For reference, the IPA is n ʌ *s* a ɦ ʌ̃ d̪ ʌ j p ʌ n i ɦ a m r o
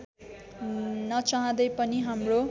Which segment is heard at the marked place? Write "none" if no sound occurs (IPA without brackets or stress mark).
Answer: t͡s